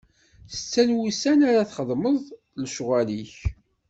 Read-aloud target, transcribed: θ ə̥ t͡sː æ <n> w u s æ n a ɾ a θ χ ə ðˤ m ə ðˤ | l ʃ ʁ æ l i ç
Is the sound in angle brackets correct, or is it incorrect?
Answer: correct